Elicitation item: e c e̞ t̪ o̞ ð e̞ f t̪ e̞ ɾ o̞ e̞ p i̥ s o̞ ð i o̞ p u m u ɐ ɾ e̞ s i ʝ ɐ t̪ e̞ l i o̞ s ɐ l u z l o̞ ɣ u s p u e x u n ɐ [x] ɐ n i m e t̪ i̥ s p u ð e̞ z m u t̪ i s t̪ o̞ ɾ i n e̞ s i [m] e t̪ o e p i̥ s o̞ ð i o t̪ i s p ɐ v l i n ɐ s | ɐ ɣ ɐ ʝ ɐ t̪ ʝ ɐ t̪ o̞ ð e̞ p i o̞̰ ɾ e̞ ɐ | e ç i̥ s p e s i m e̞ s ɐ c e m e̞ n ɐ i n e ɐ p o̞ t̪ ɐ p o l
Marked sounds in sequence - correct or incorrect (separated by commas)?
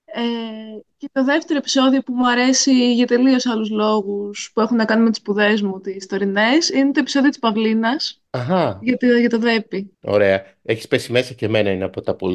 incorrect, incorrect